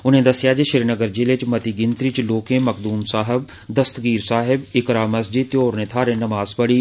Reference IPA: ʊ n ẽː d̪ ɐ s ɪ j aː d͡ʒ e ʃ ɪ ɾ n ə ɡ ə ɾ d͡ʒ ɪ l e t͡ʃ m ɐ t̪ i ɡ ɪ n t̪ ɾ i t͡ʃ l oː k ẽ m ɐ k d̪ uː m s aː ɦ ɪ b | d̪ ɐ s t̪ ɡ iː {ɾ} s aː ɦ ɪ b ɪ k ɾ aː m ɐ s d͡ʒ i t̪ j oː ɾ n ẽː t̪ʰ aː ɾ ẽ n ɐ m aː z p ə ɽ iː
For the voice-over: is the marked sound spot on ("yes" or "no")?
yes